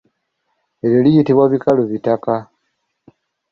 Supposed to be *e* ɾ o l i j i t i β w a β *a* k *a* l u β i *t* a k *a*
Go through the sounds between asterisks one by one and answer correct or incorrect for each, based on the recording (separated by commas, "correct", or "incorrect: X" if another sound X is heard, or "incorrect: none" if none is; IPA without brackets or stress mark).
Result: correct, incorrect: i, correct, correct, correct